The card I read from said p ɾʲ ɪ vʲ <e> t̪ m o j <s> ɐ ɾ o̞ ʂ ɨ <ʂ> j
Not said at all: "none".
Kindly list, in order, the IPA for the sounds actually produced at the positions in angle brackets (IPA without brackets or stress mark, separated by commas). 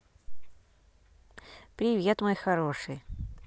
e, x, none